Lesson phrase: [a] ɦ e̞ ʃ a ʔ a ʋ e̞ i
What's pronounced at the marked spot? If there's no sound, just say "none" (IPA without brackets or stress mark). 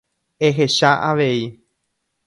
e